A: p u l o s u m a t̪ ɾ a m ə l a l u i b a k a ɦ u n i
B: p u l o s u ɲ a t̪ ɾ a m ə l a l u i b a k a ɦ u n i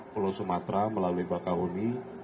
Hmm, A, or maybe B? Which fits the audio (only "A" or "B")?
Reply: A